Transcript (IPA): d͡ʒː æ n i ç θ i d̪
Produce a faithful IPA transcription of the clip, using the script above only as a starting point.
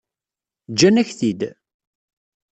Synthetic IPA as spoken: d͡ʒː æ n æ ç θ i d̪